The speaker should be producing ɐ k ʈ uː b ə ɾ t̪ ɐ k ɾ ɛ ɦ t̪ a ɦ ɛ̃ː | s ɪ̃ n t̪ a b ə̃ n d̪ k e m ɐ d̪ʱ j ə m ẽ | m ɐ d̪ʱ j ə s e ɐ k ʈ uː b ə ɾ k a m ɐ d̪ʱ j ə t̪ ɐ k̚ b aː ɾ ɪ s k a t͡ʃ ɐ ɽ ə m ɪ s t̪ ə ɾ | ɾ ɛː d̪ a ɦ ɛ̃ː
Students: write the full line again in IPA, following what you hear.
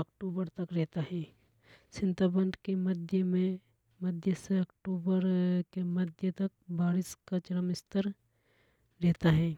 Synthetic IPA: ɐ k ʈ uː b ə ɾ t̪ ɐ k ɾ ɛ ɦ t̪ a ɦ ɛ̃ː | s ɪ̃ n t̪ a b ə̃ n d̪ k e m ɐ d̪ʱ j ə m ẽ | m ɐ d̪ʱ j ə s e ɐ k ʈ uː b ə ɾ k e m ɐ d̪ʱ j ə t̪ ɐ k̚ b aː ɾ ɪ s k a t͡ʃ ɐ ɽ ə m ɪ s t̪ ə ɾ | ɾ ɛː t̪ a ɦ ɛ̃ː